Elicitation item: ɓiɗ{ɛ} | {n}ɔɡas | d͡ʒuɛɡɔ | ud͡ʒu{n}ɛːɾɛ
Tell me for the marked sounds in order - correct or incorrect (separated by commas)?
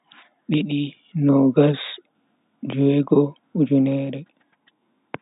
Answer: incorrect, correct, correct